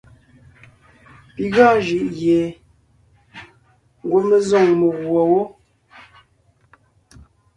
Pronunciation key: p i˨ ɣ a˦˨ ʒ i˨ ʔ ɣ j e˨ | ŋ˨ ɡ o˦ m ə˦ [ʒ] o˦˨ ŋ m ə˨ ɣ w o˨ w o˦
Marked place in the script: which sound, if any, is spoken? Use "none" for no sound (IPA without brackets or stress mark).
z